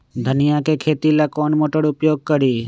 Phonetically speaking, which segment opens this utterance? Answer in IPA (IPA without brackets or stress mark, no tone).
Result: d̪ʱ